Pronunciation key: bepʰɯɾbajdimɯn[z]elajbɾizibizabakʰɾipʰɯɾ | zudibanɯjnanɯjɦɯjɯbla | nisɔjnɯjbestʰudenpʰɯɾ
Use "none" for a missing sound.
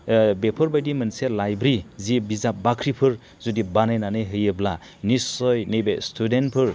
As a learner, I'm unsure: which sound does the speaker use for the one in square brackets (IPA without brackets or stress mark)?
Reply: s